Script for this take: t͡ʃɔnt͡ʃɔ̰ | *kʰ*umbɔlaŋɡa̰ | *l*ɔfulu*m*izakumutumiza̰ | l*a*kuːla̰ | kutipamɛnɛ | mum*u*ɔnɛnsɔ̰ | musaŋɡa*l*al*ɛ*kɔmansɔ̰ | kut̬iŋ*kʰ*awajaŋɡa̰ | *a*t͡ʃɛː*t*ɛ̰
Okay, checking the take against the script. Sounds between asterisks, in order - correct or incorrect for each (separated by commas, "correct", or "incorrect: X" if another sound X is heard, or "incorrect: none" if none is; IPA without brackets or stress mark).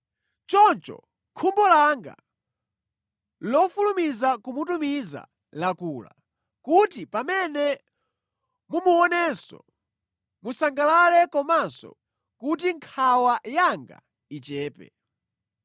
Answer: correct, correct, correct, correct, correct, correct, correct, correct, incorrect: i, incorrect: p